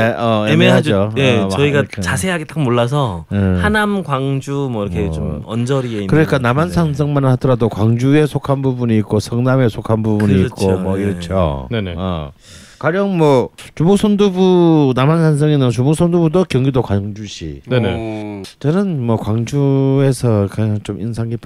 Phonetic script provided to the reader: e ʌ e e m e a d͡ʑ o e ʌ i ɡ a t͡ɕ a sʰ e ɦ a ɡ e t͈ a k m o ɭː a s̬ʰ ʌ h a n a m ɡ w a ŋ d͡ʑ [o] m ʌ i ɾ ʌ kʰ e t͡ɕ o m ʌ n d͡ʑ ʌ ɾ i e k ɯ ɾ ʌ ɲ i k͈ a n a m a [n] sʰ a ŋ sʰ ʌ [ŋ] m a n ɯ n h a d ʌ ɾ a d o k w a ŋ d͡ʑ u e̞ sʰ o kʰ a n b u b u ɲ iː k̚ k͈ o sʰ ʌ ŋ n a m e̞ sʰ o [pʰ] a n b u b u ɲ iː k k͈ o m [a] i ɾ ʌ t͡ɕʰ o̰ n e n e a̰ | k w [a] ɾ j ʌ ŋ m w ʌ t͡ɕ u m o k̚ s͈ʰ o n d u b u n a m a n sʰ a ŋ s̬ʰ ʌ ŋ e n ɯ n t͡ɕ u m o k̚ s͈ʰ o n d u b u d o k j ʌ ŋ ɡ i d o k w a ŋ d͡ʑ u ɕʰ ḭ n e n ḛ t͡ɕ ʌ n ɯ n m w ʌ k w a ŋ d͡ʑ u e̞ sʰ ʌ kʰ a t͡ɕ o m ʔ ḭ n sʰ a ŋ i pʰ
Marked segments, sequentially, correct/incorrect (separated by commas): incorrect, correct, correct, incorrect, incorrect, correct